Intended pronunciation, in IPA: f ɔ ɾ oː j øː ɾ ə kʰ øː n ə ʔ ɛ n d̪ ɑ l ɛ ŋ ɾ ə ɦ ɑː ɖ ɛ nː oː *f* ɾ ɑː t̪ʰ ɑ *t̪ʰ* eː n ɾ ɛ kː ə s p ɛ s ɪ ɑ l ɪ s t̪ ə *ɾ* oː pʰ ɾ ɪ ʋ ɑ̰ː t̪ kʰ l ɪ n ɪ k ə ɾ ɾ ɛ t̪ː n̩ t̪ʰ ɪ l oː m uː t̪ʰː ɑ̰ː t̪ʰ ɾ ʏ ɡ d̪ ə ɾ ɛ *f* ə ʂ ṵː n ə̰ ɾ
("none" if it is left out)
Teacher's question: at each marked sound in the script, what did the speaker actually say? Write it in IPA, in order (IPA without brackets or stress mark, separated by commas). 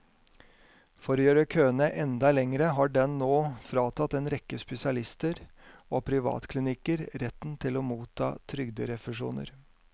f, t̪, ɾ, f